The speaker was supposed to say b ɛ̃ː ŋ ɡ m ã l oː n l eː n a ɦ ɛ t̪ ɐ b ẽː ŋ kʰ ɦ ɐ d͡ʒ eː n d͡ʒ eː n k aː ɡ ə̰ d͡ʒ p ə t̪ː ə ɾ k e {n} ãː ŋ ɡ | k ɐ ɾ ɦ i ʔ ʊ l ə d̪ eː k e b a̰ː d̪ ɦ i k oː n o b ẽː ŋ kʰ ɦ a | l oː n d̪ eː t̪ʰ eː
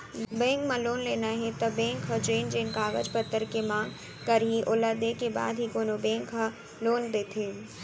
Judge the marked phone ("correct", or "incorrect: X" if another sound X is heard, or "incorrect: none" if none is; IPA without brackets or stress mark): incorrect: m